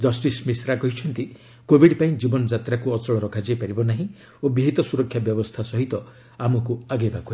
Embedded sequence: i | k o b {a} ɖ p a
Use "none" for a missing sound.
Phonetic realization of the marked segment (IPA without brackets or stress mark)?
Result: i